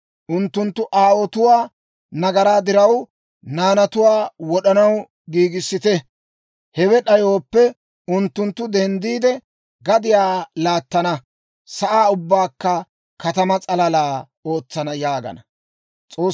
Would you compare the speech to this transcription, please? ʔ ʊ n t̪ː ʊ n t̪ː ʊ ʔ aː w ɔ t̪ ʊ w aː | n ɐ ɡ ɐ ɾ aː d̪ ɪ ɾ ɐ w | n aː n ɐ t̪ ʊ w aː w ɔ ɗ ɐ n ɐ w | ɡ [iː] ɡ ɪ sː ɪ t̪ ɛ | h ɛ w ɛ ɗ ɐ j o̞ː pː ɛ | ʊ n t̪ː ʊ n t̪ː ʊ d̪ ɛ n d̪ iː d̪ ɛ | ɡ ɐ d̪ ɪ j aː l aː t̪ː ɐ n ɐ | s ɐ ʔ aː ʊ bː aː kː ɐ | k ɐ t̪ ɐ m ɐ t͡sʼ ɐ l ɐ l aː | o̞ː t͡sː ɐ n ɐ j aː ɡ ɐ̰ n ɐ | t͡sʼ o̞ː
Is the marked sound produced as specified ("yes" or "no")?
yes